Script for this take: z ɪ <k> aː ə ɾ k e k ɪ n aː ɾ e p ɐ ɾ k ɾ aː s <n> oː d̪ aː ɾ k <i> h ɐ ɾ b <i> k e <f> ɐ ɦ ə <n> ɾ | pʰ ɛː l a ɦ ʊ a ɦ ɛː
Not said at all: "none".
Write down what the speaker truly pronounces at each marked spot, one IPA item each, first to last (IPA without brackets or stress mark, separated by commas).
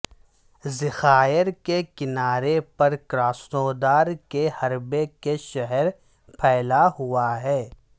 x, n, e, e, ʃ, none